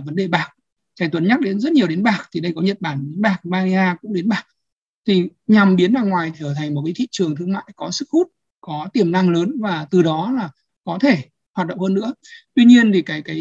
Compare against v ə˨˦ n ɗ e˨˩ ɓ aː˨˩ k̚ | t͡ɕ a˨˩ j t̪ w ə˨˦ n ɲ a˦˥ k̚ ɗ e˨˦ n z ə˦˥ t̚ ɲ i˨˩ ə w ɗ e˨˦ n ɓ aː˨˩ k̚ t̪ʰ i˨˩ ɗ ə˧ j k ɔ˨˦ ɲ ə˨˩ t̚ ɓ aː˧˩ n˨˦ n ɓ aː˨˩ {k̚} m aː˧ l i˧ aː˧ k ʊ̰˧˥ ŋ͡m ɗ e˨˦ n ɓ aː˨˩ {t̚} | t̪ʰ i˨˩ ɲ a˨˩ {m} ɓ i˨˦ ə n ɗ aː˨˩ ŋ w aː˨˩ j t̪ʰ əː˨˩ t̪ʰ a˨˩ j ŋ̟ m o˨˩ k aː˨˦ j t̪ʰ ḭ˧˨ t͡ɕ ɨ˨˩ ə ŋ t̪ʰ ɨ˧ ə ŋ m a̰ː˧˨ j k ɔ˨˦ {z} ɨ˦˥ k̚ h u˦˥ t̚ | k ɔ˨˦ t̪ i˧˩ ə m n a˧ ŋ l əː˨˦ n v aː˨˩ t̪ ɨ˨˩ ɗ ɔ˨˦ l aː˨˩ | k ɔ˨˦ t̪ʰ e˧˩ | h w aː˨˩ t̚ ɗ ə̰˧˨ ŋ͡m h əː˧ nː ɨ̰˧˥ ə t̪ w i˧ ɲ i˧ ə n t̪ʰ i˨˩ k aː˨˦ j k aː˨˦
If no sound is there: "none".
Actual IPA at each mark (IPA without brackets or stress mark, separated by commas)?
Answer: k̚, k̚, m, s